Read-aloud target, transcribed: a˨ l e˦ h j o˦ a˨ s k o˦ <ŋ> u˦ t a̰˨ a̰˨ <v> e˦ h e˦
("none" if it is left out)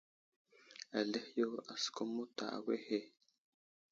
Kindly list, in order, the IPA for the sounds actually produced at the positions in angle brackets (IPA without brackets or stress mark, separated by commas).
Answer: m, w